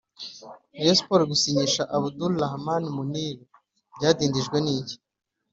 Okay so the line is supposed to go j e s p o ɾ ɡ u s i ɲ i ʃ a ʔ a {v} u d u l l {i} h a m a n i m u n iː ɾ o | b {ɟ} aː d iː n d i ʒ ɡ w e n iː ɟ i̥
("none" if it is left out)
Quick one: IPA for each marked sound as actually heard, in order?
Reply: β, a, ɟ

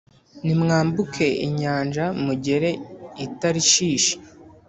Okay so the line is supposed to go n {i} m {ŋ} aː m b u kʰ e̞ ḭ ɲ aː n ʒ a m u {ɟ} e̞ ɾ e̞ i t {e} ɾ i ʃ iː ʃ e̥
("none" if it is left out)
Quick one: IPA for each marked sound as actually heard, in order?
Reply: i, ŋ, ɟ, a

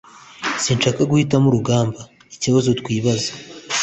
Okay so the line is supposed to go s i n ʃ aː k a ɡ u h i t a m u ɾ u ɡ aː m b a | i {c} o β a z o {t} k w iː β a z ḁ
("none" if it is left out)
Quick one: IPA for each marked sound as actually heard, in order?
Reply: c, t

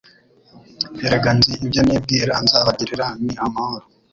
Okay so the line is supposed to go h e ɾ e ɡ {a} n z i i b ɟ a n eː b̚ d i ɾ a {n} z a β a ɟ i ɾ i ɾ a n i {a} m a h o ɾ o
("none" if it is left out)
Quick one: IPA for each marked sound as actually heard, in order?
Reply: a, n, a

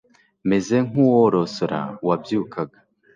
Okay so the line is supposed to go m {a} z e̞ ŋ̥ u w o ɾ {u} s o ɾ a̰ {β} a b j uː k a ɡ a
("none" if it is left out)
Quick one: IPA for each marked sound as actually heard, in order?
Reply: e, o, w

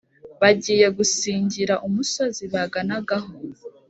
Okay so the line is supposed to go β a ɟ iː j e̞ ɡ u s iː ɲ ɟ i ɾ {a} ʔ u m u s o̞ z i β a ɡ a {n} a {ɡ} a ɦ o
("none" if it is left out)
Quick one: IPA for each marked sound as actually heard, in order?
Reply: a, n, ɡ

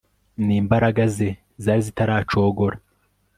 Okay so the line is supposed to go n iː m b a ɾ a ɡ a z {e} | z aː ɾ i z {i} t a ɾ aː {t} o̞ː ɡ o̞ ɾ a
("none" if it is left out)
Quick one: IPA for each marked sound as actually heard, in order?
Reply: e, i, t͡ʃ

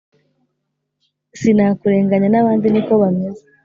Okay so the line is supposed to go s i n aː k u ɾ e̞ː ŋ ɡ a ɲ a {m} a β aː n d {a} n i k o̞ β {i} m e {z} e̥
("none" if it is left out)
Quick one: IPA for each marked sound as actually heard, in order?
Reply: n, i, a, z

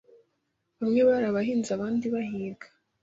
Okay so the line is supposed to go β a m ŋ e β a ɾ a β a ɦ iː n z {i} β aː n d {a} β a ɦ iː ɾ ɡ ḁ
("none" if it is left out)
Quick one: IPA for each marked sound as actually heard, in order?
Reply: a, i

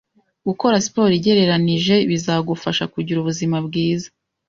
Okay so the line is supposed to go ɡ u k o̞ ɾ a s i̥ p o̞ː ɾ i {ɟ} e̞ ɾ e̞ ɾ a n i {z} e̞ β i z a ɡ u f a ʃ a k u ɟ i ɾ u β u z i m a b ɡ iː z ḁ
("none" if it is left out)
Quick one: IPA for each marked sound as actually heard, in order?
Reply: ɟ, ʒ

